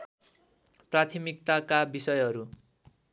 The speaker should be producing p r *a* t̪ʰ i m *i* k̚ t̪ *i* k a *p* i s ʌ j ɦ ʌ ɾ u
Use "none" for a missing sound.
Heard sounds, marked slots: a, i, a, b

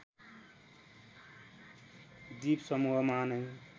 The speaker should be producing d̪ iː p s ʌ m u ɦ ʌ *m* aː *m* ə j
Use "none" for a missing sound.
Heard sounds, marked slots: m, n

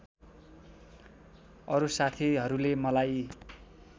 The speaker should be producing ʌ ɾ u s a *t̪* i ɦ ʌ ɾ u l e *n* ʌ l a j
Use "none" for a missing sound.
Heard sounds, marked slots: t̪ʰ, m

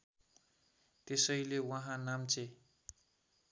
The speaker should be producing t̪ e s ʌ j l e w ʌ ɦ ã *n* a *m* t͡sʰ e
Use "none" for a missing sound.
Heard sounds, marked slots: n, m

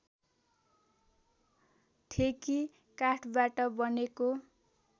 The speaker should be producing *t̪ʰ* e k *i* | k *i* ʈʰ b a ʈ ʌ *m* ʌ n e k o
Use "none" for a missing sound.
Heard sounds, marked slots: t̪ʰ, i, a, b

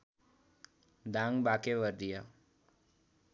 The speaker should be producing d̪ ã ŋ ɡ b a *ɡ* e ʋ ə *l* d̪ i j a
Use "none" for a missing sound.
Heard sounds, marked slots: k, ɾ

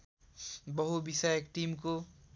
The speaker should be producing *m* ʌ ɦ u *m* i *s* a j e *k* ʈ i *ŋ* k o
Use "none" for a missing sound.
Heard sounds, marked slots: b, b, s, k, m

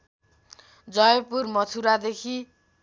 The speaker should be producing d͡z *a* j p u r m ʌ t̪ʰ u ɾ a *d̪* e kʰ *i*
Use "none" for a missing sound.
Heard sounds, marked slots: ʌ, d̪, i

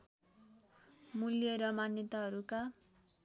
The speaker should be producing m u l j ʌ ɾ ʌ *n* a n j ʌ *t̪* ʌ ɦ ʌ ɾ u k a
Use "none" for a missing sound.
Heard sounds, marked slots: m, t̪

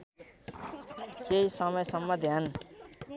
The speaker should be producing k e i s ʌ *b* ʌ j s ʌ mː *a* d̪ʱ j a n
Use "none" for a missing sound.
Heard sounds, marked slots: m, ʌ

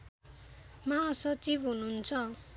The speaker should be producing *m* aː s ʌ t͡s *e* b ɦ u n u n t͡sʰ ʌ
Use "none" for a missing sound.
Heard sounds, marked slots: m, i

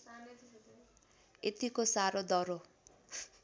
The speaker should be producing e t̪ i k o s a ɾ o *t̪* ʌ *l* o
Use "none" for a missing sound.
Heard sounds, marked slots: d̪, ɾ

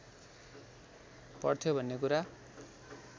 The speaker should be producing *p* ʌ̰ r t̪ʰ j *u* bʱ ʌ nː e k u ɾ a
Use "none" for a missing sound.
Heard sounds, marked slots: p, o

